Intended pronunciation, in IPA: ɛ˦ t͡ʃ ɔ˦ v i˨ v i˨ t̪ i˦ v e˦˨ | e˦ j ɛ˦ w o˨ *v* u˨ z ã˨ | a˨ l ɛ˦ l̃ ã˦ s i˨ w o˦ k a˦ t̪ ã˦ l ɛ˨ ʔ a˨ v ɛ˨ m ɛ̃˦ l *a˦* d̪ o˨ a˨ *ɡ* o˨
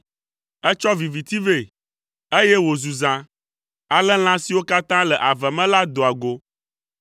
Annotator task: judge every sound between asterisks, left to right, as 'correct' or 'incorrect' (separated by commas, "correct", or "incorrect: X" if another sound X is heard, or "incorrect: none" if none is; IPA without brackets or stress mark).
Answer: incorrect: z, correct, correct